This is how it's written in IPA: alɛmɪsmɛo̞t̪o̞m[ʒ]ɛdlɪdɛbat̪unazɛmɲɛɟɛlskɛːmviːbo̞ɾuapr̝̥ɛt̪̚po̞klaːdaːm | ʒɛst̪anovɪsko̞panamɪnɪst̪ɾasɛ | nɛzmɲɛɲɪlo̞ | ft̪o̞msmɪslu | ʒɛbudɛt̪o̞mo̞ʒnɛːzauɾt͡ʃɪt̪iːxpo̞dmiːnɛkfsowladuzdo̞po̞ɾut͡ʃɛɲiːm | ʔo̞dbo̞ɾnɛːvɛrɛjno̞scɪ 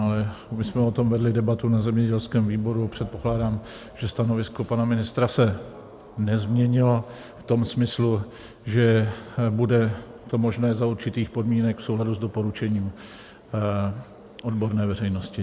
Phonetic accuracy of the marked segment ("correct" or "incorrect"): incorrect